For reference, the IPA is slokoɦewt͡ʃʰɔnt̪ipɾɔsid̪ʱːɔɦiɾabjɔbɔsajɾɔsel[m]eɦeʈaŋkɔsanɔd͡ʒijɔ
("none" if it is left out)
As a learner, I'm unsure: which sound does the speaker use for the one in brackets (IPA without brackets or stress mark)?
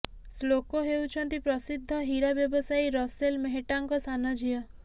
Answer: m